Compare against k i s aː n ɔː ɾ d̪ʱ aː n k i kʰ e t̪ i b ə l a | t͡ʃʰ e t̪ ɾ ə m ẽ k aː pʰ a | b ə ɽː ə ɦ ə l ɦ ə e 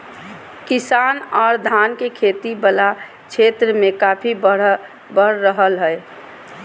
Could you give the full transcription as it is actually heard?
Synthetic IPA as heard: k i s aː n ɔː ɾ d̪ʱ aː n k e kʰ e t̪ i b ə l a | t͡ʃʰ e t̪ ɾ ə m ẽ k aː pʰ i | b ə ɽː ə ɦ ə l ɦ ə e